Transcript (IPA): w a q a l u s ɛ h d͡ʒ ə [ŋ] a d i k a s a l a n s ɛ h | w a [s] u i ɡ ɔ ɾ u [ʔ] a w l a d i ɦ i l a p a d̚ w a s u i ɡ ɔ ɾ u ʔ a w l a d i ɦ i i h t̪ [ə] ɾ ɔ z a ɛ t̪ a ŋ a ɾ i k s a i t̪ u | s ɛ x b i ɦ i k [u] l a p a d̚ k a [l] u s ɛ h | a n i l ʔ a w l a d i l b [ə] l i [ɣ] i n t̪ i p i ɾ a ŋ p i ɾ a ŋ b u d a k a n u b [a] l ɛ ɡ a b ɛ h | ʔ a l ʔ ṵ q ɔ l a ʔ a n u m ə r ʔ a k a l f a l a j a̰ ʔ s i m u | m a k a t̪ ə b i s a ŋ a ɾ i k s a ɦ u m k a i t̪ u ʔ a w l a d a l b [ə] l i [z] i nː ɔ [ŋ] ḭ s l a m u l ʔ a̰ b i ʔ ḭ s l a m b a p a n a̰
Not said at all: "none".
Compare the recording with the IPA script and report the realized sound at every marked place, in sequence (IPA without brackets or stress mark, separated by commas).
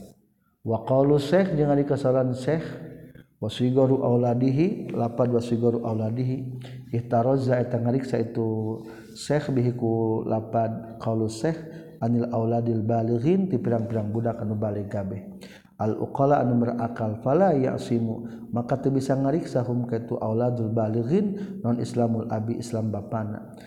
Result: ŋ, s, ʔ, a, u, l, a, ɣ, a, a, ɣ, n